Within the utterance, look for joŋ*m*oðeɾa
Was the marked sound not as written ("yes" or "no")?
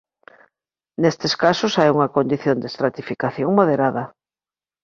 no